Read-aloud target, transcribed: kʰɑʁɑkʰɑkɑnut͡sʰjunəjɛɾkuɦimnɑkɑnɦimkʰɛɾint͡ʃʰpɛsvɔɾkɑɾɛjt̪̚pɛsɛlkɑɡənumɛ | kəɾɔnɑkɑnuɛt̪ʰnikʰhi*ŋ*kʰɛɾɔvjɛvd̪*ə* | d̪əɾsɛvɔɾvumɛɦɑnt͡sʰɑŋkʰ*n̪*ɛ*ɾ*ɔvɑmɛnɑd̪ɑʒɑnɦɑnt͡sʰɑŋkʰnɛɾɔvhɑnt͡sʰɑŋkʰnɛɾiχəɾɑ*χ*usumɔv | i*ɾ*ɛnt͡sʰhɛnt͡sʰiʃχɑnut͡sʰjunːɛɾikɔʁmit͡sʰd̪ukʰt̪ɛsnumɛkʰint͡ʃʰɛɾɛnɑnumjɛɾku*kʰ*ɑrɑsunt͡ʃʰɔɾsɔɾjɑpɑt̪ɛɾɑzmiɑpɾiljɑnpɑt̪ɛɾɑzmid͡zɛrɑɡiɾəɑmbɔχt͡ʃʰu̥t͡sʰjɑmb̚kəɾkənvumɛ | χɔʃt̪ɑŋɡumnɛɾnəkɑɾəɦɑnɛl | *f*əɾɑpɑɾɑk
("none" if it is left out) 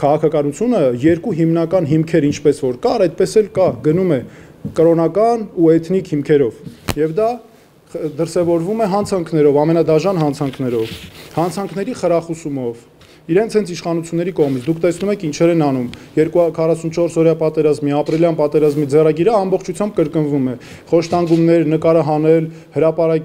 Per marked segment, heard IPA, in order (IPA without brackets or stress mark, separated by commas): m, ɑ, n̪, ɾ, χ, ɾ, kʰ, h